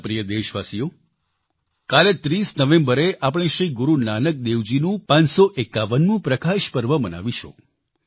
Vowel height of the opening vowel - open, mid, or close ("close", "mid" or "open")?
close